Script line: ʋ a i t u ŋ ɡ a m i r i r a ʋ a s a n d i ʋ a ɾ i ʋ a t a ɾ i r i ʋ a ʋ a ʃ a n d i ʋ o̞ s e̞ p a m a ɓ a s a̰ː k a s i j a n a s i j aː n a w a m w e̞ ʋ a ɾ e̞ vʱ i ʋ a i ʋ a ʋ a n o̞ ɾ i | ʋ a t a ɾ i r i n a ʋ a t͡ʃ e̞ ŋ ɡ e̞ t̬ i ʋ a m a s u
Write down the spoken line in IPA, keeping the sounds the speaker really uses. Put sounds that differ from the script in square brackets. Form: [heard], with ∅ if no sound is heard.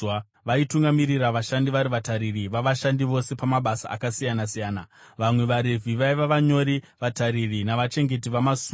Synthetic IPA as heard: ʋ a i t u ŋ ɡ a m i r i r a ʋ a [ʃ] a n d i ʋ a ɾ i ʋ a t a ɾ i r i ʋ a ʋ a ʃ a n d i ʋ o̞ s e̞ p a m a ɓ a s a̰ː k a s i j a n a s i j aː n a [ʋ] a m w e̞ ʋ a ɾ e̞ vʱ i ʋ a i ʋ a ʋ a [ɲ] o̞ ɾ i | ʋ a t a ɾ i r i n a ʋ a t͡ʃ e̞ ŋ ɡ e̞ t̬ i ʋ a m a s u

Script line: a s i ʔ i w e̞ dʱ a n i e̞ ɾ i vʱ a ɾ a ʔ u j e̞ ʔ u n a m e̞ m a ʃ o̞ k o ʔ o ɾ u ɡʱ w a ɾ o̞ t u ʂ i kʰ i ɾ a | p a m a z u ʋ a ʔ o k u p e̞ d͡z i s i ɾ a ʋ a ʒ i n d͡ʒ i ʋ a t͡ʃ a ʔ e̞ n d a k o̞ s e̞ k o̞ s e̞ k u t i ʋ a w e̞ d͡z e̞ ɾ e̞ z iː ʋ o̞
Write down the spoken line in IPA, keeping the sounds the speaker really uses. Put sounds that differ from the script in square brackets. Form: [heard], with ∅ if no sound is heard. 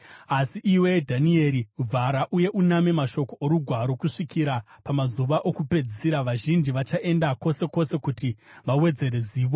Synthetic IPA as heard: a s i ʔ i w e̞ dʱ a n i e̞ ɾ i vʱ a ɾ a ʔ u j e̞ ʔ u n a m e̞ m a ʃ o̞ k o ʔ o ɾ u ɡʱ w a ɾ o̞ [k] u ʂ i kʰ i ɾ a | p a m a z u ʋ a ʔ o k u p e̞ d͡z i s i ɾ a ʋ a ʒ i n d͡ʒ i ʋ a t͡ʃ a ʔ e̞ n d a k o̞ s e̞ k o̞ s e̞ k u t i ʋ a w e̞ d͡z e̞ ɾ e̞ z iː ʋ o̞

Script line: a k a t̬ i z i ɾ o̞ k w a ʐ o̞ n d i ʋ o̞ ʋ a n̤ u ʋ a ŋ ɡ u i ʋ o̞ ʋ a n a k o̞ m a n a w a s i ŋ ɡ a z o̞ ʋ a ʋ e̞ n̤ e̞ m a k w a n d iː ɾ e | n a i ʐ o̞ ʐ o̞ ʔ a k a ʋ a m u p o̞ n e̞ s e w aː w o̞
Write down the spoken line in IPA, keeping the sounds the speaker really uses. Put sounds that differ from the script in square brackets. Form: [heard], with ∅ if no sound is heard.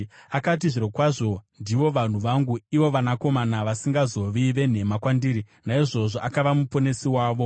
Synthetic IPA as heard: a k a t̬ i [ʐ] i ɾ o̞ k w a ʐ o̞ n d i ʋ o̞ ʋ a n̤ u ʋ a ŋ ɡ u i ʋ o̞ ʋ a n a k o̞ m a n a [ʋ] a s i ŋ ɡ a z o̞ ʋ [i] ʋ e̞ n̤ e̞ m a k w a n d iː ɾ [i] | n a i ʐ o̞ ʐ o̞ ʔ a k a ʋ a m u p o̞ n e̞ s [i] w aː [ʋ] o̞

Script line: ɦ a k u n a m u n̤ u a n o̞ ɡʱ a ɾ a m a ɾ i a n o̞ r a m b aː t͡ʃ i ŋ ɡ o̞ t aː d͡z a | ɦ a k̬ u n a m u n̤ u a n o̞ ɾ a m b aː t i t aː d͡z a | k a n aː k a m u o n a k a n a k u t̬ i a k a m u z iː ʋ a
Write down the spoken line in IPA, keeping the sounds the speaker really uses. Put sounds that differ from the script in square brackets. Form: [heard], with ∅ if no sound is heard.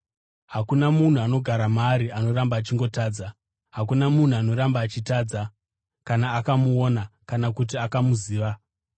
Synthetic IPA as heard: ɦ a k u n a m u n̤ u a n o̞ ɡʱ a ɾ a m a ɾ i a n o̞ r a m b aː t͡ʃ i ŋ ɡ o̞ t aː d͡z a | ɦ a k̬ u n a m u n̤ u a n o̞ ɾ a m b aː [t͡ʃ] i t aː d͡z a | k a n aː k a m u o n a k a n a k u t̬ i a k a m u z iː ʋ a

